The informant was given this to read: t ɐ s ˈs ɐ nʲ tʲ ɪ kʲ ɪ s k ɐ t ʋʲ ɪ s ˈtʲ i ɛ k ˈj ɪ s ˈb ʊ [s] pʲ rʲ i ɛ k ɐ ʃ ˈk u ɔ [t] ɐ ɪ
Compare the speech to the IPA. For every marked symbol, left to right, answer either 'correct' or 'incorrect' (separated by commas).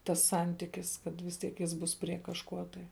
correct, correct